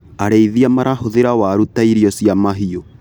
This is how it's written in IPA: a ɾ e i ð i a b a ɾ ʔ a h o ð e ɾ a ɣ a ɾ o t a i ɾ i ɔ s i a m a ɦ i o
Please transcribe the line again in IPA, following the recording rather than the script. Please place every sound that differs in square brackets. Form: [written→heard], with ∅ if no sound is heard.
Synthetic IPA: a ɾ e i ð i a [b→m] a ɾ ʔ a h o ð e ɾ a [ɣ→w] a ɾ [o→u] t a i ɾ i ɔ s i a m a ɦ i o

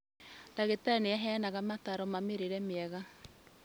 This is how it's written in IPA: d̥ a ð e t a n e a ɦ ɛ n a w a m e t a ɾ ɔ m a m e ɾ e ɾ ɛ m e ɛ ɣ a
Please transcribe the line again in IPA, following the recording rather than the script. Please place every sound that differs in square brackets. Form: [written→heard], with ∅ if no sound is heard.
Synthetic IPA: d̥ a [ð→ɣ] e t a n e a ɦ ɛ n a [w→ɣ] a m [e→a] t a ɾ ɔ m a m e ɾ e ɾ ɛ m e ɛ ɣ a

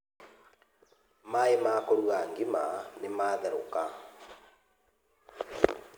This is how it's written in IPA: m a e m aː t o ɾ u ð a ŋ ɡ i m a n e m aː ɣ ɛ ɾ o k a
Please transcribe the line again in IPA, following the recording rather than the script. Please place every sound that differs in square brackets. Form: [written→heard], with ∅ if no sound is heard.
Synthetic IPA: m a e m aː [t→k] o ɾ u [ð→ɣ] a ŋ ɡ i m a n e m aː [ɣ→ð] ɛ ɾ o k a

